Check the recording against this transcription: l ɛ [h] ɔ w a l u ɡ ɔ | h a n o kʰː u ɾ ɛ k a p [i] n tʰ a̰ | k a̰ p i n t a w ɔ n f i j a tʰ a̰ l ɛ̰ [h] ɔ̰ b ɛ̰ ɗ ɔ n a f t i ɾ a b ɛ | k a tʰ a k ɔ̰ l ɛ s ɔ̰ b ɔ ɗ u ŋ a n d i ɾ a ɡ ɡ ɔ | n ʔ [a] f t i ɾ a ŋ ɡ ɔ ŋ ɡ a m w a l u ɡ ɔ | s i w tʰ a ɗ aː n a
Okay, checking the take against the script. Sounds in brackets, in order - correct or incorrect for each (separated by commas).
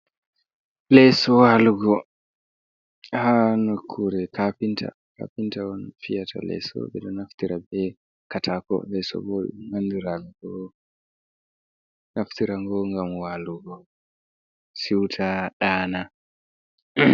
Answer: incorrect, correct, incorrect, correct